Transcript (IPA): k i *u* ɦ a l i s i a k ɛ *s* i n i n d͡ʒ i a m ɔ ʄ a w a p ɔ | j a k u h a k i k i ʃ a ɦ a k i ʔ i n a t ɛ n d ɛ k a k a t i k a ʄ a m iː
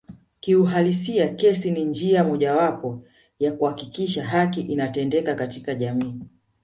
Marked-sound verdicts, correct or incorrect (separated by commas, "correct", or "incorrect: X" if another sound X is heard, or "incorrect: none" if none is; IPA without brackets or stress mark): correct, correct